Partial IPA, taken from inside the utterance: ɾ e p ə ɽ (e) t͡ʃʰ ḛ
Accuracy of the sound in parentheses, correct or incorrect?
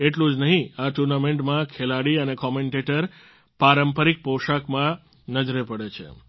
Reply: correct